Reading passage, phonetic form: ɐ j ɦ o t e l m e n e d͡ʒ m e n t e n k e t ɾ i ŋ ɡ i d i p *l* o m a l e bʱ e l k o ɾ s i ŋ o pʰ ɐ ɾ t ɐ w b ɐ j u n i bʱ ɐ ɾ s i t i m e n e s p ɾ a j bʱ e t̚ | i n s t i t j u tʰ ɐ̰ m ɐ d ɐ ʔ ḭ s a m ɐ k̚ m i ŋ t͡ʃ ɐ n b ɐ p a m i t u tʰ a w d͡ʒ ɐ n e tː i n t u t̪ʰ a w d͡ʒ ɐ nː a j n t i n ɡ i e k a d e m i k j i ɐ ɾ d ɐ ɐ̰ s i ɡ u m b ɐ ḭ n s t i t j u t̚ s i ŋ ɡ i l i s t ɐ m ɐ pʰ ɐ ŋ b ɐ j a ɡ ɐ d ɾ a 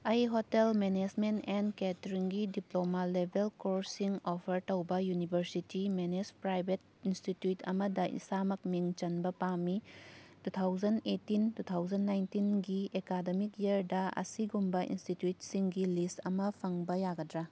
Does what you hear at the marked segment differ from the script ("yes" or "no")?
no